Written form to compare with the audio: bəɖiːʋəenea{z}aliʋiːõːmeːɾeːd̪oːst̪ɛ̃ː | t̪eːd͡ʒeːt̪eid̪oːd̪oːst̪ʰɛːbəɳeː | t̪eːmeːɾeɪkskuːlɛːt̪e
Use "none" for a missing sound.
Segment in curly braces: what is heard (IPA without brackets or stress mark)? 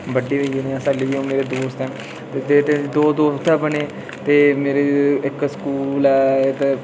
s